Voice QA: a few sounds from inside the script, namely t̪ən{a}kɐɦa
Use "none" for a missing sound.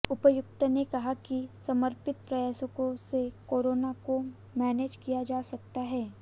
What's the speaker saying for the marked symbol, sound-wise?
e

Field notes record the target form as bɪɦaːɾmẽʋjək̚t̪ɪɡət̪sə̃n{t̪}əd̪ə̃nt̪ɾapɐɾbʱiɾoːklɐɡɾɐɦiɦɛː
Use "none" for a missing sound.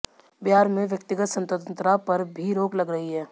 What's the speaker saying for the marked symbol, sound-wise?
t̪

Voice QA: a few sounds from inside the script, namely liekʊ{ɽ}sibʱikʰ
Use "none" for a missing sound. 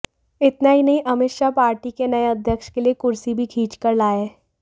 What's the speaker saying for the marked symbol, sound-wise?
ɾ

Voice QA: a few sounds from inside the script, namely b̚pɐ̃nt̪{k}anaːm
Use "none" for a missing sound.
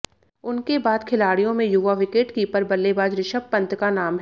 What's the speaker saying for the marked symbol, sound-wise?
k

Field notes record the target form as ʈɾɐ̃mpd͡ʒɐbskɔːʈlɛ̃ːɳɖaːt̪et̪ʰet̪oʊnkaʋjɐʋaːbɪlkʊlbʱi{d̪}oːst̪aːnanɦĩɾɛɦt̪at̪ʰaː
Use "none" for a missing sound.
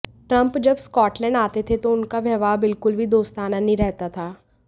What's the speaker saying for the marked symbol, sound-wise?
d̪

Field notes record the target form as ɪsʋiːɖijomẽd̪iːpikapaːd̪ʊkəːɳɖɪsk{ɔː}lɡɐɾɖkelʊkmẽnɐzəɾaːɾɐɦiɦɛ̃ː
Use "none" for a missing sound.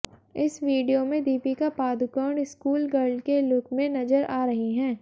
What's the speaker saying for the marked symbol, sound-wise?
uː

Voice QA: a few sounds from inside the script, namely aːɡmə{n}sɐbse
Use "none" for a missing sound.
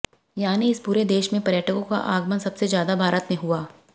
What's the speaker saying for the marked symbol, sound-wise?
n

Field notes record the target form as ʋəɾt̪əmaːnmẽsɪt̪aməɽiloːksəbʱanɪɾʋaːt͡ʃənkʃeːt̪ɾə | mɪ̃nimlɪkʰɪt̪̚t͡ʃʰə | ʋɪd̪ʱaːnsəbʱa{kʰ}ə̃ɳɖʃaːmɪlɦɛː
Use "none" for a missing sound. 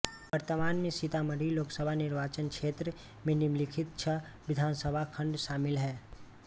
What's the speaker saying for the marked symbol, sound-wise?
kʰ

